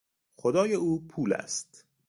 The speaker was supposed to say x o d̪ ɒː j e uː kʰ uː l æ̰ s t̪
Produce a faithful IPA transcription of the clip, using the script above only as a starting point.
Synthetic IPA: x o d̪ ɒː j e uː pʰ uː l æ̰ s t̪